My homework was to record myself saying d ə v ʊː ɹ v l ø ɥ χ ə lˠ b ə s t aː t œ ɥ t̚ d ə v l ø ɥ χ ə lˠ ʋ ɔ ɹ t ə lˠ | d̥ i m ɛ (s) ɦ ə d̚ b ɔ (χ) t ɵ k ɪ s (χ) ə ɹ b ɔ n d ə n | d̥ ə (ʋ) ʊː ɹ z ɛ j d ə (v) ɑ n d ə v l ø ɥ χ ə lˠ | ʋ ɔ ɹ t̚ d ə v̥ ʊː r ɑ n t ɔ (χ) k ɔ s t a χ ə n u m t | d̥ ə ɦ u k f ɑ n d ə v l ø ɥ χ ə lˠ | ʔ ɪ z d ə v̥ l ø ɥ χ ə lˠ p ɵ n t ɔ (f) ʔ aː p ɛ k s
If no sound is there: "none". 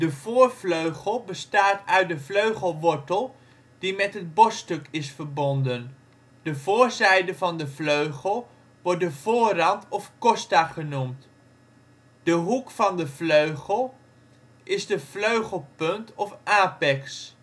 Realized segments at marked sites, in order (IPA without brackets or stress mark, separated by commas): t, s, f, v, v, f, f